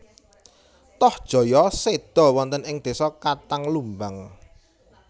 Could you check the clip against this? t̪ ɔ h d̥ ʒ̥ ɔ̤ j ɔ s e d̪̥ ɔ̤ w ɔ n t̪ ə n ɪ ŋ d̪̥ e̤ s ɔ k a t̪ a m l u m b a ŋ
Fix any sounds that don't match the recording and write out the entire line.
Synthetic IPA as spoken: t̪ ɔ h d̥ ʒ̥ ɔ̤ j ɔ s e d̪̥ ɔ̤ w ɔ n t̪ ə n ɪ ŋ d̪̥ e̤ s ɔ k a t̪ a ŋ l u m b a ŋ